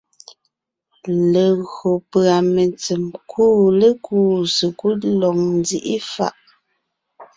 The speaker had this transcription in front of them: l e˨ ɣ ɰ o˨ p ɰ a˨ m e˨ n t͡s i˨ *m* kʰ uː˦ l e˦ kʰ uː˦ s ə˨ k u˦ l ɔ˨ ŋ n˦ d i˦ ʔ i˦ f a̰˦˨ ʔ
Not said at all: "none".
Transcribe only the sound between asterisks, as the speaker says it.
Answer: m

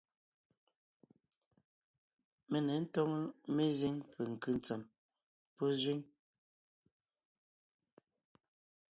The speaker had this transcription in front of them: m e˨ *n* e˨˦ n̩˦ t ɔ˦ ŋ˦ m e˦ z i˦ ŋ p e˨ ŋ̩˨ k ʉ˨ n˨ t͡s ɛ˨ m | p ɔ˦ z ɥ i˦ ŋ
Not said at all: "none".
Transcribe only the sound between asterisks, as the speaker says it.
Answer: n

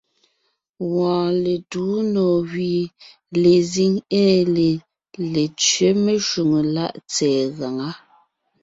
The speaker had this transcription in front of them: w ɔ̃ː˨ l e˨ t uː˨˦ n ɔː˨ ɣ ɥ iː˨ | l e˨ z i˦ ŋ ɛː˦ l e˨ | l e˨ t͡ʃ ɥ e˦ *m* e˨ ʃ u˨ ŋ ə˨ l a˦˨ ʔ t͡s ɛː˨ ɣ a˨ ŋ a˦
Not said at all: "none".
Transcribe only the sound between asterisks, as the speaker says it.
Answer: m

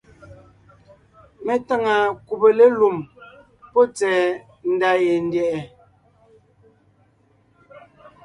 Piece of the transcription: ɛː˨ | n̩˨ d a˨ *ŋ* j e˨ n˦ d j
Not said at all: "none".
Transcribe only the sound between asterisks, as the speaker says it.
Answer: none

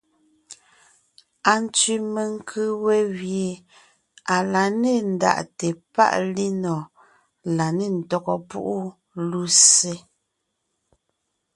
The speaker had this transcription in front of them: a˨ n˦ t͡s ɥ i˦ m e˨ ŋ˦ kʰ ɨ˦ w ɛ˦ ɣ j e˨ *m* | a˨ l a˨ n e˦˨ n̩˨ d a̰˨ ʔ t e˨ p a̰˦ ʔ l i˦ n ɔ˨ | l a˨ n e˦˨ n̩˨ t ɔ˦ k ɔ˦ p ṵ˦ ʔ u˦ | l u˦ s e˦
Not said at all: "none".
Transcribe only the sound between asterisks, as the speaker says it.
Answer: none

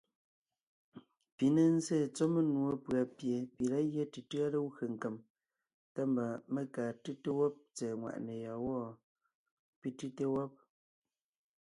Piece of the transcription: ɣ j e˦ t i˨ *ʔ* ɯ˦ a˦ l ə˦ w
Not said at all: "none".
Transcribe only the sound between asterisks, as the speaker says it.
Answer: t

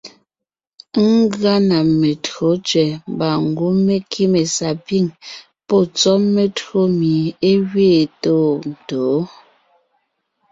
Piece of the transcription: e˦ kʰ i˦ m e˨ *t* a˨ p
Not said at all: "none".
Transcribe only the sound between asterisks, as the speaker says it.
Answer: s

